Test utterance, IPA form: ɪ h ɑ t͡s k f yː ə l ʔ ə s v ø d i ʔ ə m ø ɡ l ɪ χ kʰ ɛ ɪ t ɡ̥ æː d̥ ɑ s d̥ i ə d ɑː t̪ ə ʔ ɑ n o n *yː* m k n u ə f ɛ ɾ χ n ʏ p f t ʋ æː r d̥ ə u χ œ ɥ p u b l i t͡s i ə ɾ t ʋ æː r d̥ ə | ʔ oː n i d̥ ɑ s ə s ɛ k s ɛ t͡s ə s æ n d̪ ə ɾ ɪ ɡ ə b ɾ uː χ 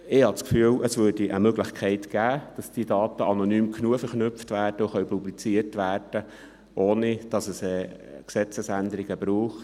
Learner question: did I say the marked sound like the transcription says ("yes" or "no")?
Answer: yes